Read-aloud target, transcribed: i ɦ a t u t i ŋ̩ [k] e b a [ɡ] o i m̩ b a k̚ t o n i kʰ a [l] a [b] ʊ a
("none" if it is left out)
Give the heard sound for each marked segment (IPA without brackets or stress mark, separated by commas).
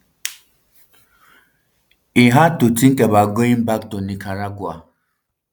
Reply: k, ɡ, ɾ, ɡ